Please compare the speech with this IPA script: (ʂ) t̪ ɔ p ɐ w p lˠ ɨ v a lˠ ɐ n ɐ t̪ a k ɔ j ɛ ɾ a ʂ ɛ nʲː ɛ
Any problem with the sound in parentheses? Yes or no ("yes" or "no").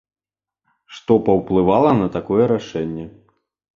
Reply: no